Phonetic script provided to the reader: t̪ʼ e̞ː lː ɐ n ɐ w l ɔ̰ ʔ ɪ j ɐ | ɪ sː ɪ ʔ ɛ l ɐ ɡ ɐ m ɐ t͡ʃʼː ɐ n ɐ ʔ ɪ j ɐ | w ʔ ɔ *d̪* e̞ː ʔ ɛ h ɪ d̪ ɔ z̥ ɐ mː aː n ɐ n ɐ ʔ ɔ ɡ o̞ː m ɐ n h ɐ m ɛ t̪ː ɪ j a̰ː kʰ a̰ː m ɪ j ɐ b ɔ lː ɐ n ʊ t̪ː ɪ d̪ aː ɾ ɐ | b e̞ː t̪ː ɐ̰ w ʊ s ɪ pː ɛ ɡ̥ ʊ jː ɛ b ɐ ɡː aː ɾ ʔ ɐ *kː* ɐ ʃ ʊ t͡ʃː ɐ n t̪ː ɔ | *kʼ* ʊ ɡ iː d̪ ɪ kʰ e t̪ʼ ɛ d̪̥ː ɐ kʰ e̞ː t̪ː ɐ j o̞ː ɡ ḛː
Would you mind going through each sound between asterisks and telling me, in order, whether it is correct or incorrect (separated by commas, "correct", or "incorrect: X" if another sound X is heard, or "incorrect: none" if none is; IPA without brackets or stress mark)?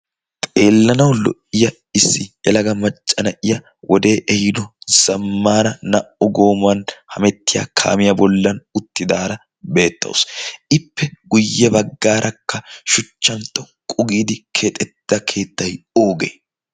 correct, correct, correct